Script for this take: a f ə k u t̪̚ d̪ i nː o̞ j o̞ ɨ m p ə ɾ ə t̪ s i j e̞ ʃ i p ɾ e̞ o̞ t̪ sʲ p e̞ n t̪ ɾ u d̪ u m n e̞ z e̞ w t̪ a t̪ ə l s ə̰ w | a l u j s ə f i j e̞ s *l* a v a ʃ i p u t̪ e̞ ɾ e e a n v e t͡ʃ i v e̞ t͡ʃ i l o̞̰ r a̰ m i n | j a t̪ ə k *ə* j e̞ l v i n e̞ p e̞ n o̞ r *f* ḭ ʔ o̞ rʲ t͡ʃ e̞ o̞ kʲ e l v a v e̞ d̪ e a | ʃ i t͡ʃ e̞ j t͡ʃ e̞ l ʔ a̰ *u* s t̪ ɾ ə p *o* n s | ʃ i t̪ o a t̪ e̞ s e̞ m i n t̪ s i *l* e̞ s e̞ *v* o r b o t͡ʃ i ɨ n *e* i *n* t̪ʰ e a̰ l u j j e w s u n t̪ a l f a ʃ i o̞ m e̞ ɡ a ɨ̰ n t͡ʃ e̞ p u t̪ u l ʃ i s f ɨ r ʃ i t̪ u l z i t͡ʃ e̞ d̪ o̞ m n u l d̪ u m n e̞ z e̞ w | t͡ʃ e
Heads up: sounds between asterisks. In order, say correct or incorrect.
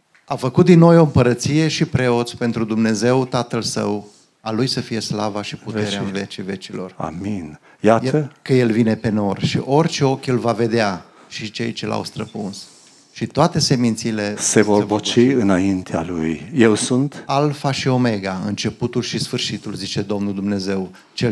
correct, correct, incorrect: ʃ, incorrect: w, incorrect: u, correct, correct, incorrect: a, correct

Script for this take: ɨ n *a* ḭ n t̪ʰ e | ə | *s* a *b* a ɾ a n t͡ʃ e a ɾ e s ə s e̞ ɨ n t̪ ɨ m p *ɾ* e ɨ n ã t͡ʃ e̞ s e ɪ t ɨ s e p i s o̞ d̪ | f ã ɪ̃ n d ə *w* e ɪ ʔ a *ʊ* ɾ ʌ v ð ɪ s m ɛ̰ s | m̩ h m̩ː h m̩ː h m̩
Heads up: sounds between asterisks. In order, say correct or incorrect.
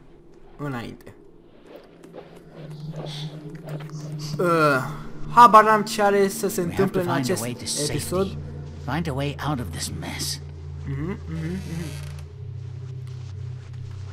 correct, incorrect: h, correct, incorrect: l, correct, correct

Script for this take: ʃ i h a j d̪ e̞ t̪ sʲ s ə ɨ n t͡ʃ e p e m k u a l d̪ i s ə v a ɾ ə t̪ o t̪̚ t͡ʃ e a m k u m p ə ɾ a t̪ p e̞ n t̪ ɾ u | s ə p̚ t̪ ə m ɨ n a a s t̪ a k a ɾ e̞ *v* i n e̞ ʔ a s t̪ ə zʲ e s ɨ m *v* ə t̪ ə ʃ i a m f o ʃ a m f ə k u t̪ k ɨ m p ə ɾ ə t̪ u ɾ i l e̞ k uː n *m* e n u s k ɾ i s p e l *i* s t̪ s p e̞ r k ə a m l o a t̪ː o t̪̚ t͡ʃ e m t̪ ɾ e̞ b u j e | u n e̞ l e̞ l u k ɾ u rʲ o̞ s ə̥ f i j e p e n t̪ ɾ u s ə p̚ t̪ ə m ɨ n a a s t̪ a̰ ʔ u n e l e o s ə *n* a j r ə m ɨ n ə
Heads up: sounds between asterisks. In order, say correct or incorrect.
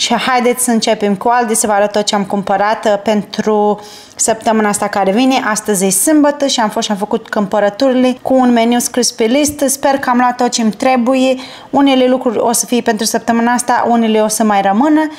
correct, incorrect: b, correct, correct, incorrect: m

